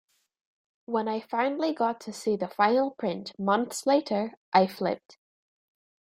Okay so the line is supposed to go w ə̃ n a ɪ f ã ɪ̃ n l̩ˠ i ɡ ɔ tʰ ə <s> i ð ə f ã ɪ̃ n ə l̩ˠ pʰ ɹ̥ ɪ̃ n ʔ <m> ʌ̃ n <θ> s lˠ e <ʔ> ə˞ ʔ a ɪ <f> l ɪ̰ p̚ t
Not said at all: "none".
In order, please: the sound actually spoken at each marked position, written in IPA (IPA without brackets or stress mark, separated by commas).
s, m, θ, ʔ, f